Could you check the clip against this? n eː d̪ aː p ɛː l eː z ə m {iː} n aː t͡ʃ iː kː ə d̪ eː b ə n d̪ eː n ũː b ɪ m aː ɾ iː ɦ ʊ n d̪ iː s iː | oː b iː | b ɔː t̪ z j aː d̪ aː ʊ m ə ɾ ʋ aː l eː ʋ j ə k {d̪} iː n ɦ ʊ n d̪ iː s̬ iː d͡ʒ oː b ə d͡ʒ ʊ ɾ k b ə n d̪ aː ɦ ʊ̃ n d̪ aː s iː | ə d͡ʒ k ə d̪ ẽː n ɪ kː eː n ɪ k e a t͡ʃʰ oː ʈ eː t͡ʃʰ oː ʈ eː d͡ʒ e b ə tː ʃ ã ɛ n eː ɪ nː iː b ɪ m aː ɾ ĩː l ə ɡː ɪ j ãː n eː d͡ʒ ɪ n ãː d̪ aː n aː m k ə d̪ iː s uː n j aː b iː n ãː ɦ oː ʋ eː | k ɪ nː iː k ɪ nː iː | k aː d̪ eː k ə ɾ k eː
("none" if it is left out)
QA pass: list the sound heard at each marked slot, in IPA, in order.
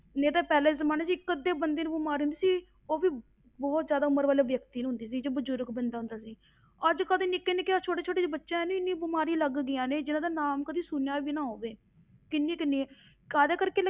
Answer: aː, t̪

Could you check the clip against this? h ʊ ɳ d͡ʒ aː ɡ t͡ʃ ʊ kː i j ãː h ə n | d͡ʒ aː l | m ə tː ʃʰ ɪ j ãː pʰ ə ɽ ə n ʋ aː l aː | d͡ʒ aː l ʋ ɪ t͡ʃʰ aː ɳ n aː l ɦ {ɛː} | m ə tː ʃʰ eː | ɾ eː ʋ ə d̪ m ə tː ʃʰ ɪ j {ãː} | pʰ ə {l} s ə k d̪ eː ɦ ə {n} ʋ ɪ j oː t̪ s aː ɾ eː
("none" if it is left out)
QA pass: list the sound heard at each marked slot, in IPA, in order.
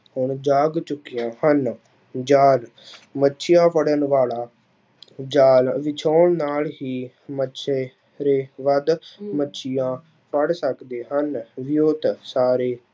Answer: iː, ãː, ɽ, n

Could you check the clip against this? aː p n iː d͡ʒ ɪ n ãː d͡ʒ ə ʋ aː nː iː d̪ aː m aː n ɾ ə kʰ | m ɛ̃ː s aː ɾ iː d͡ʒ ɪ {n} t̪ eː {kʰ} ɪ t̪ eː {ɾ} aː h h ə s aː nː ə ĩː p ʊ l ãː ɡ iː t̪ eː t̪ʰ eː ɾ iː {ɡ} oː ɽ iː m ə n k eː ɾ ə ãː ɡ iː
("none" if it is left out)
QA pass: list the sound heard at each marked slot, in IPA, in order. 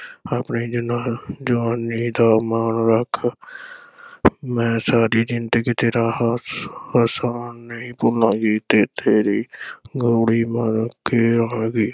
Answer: n, k, ɾ, ɡ

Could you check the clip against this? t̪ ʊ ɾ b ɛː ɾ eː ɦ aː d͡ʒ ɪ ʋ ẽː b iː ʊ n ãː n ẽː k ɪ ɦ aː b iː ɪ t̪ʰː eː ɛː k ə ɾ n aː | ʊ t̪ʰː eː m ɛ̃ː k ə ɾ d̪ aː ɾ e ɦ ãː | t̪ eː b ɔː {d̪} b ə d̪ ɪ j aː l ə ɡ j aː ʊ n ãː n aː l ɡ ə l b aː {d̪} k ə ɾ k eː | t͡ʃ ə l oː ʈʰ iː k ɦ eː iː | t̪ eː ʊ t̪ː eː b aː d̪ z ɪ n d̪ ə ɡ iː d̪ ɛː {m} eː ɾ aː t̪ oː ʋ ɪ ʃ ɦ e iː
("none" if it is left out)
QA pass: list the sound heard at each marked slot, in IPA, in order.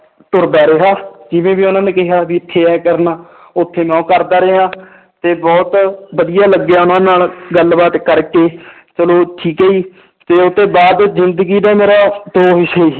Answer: t̪, t̪, m

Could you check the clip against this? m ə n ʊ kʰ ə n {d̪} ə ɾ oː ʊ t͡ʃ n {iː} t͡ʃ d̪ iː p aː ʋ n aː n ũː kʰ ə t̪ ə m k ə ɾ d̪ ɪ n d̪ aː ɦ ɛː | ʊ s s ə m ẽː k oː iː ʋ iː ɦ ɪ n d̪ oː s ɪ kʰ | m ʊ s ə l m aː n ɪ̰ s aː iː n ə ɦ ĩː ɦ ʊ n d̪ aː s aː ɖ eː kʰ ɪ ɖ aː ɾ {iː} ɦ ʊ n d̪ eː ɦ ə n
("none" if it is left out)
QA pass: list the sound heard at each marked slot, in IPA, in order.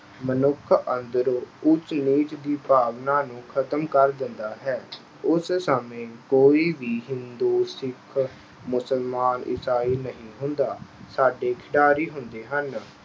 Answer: d̪, iː, iː

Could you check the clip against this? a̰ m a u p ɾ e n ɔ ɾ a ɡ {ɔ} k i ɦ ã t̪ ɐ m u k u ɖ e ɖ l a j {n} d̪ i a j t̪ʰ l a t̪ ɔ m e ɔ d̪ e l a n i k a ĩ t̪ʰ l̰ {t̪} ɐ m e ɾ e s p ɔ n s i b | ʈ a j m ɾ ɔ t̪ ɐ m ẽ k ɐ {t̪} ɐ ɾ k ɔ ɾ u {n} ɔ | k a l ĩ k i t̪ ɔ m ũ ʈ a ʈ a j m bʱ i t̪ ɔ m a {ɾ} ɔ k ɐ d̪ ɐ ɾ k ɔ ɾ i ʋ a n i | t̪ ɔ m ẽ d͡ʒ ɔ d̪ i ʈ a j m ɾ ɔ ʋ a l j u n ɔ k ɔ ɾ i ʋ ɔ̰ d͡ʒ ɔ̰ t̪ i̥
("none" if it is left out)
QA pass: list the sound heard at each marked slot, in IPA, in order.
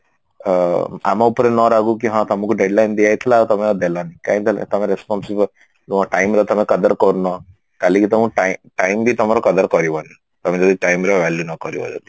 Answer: u, n, t̪, d̪, n, ɾ

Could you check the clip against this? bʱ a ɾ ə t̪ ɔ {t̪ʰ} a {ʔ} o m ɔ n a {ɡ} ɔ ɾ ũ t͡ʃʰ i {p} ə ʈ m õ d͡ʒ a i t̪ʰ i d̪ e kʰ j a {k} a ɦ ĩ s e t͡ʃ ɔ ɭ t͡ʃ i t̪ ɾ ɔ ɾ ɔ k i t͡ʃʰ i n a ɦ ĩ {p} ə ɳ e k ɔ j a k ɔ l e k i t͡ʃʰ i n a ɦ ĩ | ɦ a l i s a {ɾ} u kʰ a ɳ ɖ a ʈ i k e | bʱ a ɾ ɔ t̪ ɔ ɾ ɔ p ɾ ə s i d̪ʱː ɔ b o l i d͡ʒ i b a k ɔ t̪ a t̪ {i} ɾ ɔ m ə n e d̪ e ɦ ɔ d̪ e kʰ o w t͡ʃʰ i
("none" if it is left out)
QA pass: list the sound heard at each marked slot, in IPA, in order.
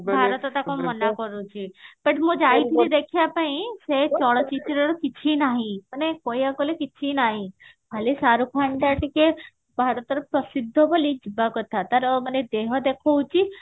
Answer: t̪, k, k, p, p, p, ɾ, a

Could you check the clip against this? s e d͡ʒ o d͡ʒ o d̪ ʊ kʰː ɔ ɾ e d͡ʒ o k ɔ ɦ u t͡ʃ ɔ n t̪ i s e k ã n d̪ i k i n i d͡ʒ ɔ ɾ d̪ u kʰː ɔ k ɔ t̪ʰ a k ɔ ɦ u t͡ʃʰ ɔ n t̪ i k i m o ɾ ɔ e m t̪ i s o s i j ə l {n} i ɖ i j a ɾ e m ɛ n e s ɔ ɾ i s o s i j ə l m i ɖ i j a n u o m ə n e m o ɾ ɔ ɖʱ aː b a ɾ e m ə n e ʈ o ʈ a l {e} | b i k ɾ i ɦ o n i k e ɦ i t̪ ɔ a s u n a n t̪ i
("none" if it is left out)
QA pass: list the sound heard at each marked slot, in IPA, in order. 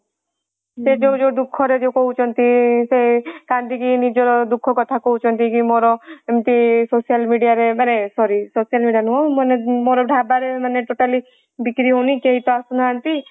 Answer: m, i

